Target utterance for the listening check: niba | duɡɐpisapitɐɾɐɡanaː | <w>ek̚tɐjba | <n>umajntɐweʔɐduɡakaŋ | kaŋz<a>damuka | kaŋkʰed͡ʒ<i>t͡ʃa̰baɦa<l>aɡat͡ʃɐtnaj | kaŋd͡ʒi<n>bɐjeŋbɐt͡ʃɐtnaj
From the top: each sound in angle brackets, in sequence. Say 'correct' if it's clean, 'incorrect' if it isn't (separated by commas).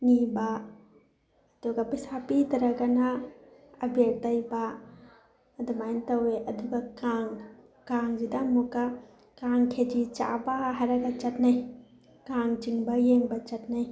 incorrect, incorrect, incorrect, correct, incorrect, incorrect